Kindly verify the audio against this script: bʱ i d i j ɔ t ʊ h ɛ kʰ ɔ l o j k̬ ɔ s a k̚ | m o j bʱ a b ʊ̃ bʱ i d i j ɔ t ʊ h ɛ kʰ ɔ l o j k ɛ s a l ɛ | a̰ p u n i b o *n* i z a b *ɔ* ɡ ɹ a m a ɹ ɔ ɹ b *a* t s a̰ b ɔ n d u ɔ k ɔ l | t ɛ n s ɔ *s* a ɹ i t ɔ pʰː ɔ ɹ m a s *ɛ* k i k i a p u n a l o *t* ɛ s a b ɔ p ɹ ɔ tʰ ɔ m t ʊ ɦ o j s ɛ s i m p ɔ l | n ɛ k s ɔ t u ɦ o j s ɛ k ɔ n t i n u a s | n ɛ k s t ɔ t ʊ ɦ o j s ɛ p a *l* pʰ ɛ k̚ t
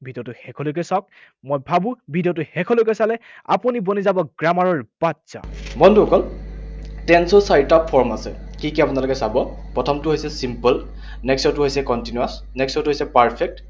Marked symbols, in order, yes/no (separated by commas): yes, yes, yes, yes, yes, no, no